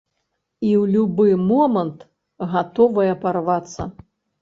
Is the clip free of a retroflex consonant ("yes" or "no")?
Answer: yes